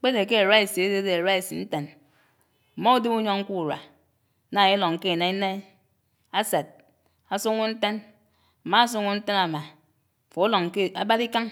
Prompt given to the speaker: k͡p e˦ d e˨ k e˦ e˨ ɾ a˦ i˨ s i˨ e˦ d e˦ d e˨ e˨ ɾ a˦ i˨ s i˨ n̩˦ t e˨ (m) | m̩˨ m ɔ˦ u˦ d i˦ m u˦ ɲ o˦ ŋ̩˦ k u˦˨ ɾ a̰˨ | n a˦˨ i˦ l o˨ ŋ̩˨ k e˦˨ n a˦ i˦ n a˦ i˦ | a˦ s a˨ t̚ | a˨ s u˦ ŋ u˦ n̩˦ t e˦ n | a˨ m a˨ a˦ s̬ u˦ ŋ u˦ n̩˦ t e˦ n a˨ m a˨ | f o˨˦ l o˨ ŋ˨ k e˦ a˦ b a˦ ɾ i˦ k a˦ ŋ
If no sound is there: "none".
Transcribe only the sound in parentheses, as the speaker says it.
n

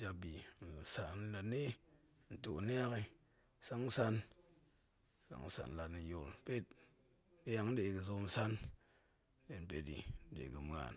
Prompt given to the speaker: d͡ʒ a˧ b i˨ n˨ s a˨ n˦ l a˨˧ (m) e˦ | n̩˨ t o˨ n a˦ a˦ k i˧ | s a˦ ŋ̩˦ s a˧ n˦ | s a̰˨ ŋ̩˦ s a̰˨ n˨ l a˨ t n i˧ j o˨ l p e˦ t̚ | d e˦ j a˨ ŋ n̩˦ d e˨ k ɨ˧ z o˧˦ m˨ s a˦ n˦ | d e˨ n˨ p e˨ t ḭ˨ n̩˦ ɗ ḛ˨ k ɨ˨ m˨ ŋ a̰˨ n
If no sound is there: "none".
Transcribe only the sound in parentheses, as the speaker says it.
n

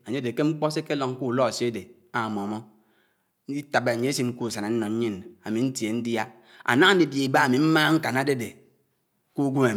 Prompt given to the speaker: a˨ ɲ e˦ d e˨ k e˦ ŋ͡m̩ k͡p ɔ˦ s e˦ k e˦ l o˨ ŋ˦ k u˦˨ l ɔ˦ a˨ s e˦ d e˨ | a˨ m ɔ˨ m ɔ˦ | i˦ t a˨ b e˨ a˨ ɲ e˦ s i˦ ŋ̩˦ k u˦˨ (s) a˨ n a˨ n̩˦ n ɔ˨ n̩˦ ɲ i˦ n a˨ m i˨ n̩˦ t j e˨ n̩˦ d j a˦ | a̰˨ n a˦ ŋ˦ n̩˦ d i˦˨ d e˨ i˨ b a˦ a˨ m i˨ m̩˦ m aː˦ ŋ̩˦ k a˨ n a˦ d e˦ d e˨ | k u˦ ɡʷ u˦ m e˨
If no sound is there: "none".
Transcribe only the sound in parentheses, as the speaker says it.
s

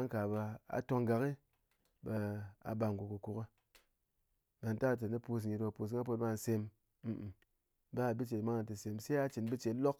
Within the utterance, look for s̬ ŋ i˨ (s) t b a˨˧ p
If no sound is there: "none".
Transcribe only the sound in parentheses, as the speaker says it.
none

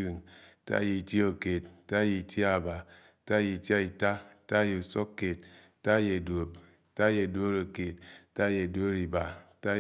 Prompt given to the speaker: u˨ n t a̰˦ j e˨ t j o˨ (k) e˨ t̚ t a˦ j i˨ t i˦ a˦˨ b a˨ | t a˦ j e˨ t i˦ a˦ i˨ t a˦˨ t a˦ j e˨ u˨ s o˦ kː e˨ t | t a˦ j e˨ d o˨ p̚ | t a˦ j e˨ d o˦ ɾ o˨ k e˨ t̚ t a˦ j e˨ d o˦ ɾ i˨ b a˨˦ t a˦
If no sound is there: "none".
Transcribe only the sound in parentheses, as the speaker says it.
k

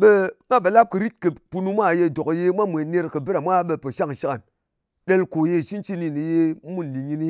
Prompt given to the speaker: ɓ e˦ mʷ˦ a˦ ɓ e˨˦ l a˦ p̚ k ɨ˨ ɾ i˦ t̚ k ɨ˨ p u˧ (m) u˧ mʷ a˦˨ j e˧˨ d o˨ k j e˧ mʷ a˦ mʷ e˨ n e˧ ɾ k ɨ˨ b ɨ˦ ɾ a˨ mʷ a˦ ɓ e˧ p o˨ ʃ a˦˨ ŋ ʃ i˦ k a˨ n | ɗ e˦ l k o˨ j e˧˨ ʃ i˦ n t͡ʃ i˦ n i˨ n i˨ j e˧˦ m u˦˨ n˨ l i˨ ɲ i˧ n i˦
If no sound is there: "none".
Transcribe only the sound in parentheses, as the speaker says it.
n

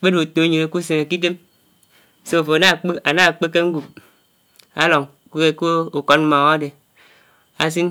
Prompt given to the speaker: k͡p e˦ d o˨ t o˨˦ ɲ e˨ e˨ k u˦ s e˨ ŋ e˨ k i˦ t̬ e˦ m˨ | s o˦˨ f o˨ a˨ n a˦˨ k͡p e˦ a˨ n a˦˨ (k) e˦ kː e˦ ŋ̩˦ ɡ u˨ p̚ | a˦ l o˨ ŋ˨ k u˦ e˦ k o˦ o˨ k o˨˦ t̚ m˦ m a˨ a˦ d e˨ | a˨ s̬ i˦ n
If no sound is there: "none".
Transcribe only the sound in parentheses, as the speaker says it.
k͡p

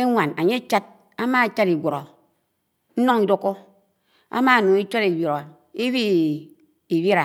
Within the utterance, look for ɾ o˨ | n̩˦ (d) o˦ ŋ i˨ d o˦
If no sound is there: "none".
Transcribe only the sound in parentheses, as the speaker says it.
n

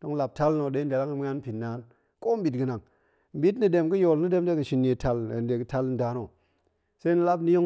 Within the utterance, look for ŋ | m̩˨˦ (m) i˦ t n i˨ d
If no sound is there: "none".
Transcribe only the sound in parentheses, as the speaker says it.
b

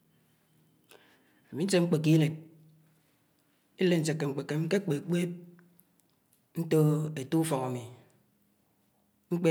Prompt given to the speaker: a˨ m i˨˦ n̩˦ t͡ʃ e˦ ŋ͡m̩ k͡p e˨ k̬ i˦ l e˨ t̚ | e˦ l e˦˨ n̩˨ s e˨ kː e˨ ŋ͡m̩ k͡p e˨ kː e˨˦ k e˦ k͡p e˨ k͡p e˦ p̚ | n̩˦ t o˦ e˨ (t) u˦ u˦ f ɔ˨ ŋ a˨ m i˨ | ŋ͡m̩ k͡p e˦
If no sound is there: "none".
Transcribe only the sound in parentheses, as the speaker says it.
t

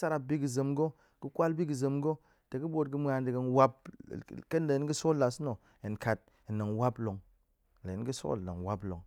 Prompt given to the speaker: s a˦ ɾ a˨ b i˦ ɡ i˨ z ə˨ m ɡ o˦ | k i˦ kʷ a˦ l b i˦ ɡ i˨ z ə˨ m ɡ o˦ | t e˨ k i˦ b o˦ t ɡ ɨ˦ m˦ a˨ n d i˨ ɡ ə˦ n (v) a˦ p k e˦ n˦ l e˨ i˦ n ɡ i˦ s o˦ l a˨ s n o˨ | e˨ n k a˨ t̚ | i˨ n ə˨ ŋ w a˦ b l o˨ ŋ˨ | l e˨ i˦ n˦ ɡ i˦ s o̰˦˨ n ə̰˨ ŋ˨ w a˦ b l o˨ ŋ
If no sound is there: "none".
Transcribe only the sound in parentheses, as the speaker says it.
w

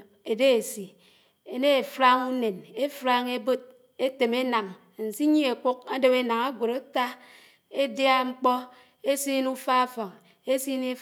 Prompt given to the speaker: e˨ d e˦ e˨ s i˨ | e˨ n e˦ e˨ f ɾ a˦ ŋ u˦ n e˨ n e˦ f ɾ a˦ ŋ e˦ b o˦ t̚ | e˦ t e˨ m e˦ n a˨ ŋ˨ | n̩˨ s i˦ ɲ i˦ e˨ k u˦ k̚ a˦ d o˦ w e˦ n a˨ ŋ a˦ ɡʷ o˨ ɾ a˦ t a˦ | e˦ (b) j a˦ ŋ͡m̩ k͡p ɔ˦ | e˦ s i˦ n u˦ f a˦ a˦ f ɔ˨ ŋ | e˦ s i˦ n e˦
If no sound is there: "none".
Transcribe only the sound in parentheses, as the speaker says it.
d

